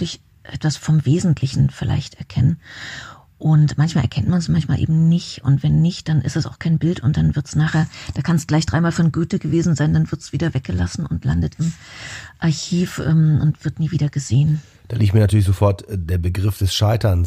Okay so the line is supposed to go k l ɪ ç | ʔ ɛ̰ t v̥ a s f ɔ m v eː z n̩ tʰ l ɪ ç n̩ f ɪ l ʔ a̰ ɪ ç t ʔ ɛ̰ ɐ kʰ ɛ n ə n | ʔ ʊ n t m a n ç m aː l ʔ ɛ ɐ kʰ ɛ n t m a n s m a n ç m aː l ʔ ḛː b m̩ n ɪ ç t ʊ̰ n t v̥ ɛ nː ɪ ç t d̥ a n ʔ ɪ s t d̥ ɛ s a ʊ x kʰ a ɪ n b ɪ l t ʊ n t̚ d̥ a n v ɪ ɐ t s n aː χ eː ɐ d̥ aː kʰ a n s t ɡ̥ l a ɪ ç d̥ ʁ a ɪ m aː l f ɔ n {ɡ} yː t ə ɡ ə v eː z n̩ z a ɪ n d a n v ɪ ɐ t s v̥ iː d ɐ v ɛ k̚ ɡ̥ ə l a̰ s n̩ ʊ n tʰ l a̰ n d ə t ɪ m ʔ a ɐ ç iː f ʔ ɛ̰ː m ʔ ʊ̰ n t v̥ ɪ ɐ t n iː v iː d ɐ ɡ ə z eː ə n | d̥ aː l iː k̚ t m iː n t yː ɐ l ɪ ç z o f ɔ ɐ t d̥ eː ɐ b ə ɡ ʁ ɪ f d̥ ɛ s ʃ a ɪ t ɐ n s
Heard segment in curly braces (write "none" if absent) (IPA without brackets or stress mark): ɡ